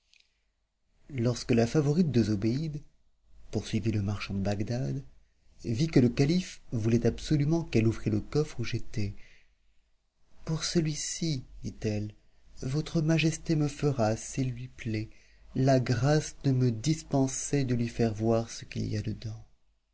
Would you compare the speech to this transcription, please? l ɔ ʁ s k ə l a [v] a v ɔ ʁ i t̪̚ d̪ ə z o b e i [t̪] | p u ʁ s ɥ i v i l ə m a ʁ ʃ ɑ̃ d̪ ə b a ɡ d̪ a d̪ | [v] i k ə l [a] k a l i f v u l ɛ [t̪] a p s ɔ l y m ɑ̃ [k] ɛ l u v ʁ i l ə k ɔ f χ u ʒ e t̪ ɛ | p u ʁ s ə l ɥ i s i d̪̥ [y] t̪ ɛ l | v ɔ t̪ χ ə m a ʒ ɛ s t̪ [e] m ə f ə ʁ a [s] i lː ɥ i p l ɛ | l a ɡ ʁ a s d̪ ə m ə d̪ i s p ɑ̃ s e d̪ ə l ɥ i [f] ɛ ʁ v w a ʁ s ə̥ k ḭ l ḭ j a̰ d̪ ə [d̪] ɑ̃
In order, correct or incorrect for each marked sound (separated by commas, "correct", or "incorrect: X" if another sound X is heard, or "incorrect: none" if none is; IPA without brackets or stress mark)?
incorrect: f, incorrect: d̪, correct, incorrect: ə, correct, correct, incorrect: i, correct, correct, correct, correct